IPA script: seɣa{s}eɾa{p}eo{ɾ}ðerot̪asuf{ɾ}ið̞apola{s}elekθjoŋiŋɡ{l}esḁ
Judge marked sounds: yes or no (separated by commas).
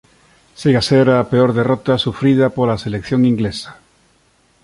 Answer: yes, yes, yes, yes, yes, yes